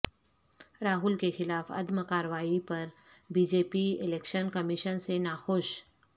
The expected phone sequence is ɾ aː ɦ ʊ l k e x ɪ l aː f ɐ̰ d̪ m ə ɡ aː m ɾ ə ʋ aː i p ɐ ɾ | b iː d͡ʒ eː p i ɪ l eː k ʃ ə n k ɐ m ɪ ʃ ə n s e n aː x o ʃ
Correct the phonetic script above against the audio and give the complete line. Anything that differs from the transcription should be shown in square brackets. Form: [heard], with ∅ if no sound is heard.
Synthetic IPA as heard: ɾ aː ɦ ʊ l k e x ɪ l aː f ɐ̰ d̪ m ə [k] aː [∅] ɾ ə ʋ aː i p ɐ ɾ | b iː d͡ʒ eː p i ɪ l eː k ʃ ə n k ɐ m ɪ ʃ ə n s e n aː x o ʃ